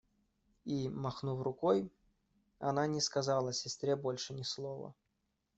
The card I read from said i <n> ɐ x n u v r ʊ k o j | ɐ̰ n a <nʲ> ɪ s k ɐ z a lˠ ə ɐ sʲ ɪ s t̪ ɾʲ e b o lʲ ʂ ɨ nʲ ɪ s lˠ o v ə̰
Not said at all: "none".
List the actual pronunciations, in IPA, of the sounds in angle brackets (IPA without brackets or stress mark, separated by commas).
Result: m, nʲ